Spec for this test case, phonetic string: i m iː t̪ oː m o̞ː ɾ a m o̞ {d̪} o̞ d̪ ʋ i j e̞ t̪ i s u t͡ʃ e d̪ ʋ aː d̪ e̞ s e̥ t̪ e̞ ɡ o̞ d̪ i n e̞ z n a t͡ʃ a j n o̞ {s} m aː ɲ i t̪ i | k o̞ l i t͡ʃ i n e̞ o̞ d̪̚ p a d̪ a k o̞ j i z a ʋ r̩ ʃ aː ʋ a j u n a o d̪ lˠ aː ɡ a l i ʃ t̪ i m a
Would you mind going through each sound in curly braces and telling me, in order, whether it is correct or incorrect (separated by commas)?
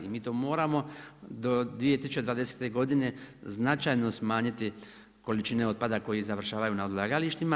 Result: correct, correct